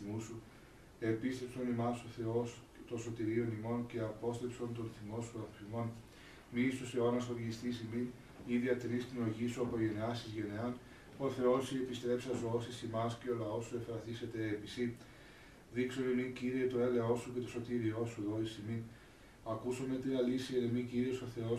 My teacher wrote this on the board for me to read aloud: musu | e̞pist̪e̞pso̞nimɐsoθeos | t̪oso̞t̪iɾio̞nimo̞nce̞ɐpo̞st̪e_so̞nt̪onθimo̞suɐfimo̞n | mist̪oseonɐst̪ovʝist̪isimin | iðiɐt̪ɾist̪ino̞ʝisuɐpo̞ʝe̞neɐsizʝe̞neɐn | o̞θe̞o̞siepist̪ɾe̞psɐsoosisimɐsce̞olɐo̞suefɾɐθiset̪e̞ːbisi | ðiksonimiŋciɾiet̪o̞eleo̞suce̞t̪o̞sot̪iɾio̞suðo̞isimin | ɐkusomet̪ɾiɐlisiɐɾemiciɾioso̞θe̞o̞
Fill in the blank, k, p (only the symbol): p